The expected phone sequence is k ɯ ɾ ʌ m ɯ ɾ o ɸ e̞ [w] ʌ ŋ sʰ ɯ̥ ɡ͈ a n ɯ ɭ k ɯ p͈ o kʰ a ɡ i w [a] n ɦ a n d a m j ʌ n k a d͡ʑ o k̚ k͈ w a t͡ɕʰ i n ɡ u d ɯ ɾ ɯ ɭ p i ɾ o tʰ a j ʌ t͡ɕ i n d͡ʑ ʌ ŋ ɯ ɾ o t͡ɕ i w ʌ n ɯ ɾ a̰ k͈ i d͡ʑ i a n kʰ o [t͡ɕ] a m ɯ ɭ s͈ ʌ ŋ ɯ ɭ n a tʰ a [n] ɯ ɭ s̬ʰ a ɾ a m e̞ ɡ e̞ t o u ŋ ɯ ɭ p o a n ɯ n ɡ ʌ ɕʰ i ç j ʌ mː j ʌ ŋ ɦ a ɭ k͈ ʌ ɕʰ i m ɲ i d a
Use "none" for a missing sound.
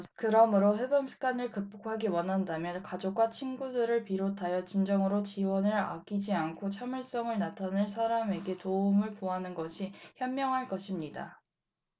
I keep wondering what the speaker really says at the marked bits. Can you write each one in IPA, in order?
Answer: b, ʌ, t͡ɕʰ, n

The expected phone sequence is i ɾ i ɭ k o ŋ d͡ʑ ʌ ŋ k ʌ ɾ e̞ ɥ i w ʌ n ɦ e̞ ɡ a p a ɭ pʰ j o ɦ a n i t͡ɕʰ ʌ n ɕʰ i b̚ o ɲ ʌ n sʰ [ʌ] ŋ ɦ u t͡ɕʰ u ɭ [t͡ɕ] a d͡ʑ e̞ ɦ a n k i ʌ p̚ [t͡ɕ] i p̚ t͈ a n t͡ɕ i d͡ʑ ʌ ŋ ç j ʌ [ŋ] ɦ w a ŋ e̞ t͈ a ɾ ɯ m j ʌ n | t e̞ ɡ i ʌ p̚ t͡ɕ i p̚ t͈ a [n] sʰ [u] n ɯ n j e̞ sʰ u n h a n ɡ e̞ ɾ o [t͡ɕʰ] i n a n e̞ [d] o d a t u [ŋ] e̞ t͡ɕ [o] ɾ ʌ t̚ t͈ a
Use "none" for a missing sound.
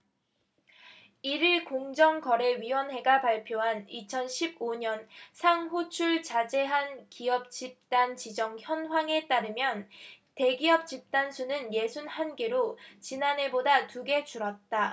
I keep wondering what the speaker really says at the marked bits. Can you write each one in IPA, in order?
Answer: a, t͡ɕ, t͡ɕ, n, n, u, t͡ɕ, b, ɡ, u

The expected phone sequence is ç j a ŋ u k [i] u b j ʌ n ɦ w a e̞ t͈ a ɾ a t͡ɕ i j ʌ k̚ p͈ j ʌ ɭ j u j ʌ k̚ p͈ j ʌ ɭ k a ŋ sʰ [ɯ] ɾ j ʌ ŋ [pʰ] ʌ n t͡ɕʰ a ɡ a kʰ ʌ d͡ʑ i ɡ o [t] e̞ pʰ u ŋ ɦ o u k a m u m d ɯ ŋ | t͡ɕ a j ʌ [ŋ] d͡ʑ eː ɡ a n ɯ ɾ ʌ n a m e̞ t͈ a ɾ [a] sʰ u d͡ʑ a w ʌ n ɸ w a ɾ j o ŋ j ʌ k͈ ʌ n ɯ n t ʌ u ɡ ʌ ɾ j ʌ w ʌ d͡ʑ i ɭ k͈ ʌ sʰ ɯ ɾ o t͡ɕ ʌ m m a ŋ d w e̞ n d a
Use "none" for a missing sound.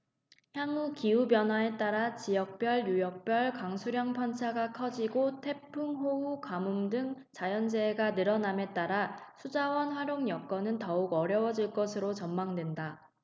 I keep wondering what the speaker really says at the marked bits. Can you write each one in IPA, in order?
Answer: i, u, pʰ, tʰ, n, a

